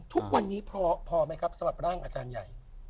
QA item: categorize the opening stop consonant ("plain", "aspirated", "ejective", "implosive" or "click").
aspirated